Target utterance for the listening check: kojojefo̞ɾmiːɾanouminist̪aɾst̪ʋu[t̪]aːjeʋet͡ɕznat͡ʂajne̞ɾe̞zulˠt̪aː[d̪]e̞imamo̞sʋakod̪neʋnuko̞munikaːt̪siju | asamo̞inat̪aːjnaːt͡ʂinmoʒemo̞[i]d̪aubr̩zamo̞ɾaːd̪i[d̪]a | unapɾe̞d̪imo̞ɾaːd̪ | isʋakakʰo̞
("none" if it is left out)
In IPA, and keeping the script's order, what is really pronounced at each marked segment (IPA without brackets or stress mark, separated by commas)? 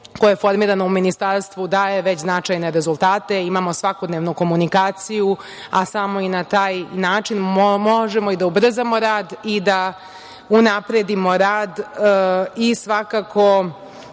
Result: d̪, t̪, i, d̪